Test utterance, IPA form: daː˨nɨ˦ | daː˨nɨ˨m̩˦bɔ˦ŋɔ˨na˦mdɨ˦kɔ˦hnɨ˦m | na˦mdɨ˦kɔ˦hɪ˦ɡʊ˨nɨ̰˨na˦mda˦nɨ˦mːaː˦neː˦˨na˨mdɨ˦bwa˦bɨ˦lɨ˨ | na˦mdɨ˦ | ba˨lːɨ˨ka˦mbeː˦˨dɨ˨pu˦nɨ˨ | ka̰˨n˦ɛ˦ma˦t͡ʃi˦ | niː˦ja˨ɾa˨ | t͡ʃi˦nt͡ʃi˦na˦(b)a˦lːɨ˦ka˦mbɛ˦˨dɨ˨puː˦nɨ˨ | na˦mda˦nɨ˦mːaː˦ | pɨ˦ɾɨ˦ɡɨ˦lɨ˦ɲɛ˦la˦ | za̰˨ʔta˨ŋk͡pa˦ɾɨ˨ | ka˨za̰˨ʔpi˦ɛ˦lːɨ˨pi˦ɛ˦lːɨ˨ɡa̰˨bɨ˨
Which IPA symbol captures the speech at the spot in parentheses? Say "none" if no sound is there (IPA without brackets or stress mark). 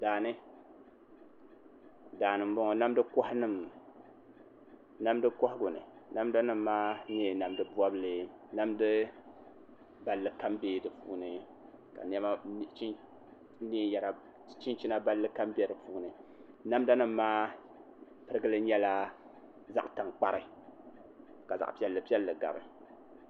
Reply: b